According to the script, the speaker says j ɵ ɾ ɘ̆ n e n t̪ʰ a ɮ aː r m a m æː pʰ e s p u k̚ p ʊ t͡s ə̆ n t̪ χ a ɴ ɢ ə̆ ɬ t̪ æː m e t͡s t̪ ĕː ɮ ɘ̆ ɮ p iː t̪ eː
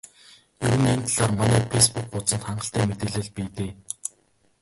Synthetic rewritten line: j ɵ ɾ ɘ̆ n e n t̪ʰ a ɮ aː r m a n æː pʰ e s p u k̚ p ʊ t͡s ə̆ n t̪ χ a ɴ ɢ ə̆ ɬ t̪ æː m e t̪ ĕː ɮ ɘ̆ ɮ p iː t̪ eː